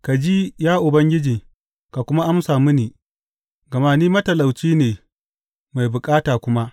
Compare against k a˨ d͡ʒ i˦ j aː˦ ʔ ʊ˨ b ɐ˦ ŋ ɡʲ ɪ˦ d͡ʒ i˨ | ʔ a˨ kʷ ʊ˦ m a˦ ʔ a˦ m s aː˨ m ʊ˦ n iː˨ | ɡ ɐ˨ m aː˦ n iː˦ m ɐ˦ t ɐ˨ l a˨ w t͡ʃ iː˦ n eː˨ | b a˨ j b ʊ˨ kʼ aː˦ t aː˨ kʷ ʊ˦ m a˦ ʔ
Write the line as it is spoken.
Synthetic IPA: k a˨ d͡ʒ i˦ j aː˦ ʔ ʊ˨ b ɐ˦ ŋ ɡʲ ɪ˦ d͡ʒ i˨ | k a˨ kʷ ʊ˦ m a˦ ʔ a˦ m s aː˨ m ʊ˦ n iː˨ | ɡ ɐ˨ m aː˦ n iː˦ m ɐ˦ t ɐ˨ l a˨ w t͡ʃ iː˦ n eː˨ | m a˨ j b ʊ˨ kʼ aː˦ t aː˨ kʷ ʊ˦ m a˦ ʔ

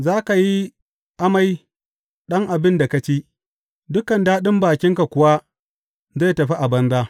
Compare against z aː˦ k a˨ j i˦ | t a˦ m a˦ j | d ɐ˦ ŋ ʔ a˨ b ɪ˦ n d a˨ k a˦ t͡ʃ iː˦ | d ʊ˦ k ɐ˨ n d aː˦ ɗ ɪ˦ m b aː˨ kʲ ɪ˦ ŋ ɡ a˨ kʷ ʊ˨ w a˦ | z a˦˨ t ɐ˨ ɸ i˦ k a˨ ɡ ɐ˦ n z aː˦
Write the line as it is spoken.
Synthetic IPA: z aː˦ k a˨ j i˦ | ʔ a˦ m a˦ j | ɗ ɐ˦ ŋ ʔ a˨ b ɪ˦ n d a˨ k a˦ t͡ʃ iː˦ | d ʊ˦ k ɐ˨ n d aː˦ ɗ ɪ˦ m b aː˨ kʲ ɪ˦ ŋ k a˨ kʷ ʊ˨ w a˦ | z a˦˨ t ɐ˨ ɸ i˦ ʔ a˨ b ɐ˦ n z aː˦

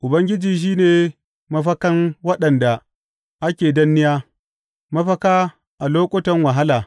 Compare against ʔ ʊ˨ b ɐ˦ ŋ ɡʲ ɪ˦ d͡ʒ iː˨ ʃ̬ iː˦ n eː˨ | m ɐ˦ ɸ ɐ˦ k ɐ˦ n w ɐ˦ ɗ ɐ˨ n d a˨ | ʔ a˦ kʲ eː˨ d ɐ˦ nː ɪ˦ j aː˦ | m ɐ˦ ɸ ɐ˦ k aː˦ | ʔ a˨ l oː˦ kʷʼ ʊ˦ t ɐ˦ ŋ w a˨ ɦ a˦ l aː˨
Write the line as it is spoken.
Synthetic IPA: ʔ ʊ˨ b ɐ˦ ŋ ɡʲ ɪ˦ d͡ʒ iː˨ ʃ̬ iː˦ n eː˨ | m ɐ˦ ɸ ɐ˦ k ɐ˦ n w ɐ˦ ɗ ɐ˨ n d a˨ | ʔ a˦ kʲ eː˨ d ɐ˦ nː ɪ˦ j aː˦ | m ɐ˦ ɸ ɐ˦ k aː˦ | ʔ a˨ l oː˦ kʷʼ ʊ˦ t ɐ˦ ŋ w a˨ ɦ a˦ l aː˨

